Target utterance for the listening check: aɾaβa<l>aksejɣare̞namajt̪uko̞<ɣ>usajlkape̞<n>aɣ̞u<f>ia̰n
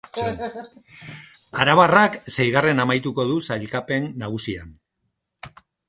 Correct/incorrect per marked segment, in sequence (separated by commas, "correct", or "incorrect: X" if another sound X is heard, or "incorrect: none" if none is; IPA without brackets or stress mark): incorrect: r, incorrect: ð, incorrect: nː, incorrect: s